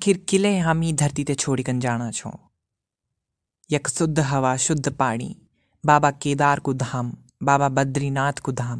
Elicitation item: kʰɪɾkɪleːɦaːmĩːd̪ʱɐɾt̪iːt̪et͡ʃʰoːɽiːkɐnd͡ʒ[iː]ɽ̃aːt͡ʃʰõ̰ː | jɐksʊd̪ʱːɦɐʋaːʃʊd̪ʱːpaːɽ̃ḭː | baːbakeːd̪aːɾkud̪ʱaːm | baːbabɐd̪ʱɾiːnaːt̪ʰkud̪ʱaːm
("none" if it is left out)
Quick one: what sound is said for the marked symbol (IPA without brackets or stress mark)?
aː